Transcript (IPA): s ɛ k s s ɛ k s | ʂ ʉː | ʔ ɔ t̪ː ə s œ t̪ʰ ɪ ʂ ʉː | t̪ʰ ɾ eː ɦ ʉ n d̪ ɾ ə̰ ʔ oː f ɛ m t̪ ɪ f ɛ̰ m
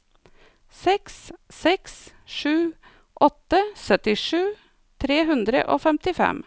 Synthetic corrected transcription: s ɛ k s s ɛ k s | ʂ ʉː | ʔ ɔ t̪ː ə s œ t̪ ɪ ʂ ʉː | t̪ʰ ɾ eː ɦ ʉ n d̪ ɾ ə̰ ʔ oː f ɛ m t̪ ɪ f ɛ̰ m